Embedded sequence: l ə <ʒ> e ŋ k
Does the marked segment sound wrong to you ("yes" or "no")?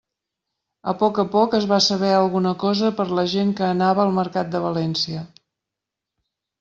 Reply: no